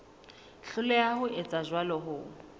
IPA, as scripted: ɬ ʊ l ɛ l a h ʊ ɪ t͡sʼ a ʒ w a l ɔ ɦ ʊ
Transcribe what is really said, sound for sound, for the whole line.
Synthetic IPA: ɬ ʊ l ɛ a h ʊ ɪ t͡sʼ a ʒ w a l ɔ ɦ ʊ